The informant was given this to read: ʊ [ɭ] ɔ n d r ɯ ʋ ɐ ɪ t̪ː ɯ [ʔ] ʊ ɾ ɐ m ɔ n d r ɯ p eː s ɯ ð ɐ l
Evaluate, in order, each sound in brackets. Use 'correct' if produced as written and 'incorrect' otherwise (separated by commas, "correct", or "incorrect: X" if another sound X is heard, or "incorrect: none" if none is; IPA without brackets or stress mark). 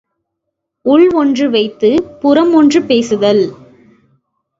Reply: correct, incorrect: p